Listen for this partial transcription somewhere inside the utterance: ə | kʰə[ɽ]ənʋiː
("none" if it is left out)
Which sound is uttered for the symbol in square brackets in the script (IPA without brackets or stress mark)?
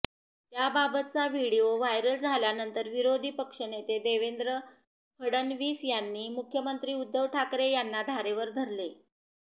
ɽ